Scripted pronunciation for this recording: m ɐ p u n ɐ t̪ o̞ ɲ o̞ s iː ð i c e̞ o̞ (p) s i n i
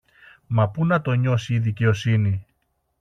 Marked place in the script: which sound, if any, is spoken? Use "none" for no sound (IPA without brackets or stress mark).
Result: none